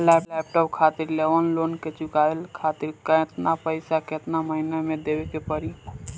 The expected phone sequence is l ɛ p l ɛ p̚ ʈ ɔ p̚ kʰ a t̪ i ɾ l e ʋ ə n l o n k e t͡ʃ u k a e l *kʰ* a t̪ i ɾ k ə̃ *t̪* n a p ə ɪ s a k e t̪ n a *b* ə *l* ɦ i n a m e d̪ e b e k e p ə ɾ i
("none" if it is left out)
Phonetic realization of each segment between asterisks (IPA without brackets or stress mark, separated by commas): kʰ, t̪, m, none